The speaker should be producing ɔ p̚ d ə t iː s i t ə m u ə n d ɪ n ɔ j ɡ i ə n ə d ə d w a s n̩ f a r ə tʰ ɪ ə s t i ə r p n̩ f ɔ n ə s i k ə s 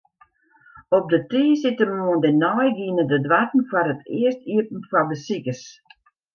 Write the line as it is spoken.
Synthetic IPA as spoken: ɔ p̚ d ə t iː s ɪ t ə m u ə n d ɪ n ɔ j ɡ i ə n ə d ə d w a t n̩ f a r ə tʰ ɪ ə s t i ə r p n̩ f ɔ d ə s i k ə s